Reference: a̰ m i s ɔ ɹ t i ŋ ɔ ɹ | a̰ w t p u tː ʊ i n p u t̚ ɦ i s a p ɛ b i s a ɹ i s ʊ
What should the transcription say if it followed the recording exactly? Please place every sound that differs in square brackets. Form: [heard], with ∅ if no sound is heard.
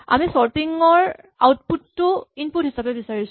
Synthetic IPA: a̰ m i s ɔ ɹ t i ŋ ɔ ɹ | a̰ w t p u tː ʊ i n p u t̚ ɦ i s a p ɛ b i s a ɹ i s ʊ